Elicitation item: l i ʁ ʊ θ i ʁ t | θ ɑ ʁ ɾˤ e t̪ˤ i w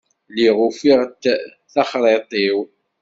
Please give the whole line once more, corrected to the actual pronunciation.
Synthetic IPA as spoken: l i ʁ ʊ f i ʁ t | θ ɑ χ ɾˤ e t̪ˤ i w